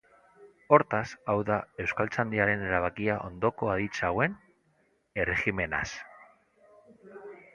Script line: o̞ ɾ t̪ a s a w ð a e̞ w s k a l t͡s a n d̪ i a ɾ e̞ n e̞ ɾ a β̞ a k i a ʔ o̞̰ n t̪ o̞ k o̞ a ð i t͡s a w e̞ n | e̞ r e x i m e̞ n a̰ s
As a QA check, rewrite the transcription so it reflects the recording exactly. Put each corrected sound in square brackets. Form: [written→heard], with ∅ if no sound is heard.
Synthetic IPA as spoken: o̞ ɾ t̪ a s a w ð a e̞ w s k a l t͡s a n d̪ i a ɾ e̞ n e̞ ɾ a β̞ a k i a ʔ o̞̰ n [t̪→d̪] o̞ k o̞ a ð i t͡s a w e̞ n | e̞ r e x i m e̞ n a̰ s